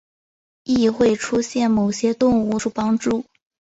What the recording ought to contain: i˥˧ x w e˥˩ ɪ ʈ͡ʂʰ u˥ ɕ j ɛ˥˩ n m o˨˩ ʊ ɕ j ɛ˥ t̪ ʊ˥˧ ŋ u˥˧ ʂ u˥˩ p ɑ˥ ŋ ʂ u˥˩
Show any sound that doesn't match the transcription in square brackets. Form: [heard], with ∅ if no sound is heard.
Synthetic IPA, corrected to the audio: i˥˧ x w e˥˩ ɪ ʈ͡ʂʰ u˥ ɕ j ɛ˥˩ n m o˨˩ ʊ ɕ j ɛ˥ t̪ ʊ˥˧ ŋ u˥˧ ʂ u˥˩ p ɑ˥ ŋ [ʈ͡ʂ] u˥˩